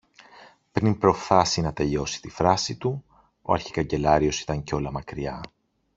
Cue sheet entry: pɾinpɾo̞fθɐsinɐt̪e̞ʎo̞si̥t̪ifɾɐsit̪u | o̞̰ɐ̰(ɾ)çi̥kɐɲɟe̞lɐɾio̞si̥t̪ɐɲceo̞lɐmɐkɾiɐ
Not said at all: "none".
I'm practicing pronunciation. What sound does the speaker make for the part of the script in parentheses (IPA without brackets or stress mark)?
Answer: ɾ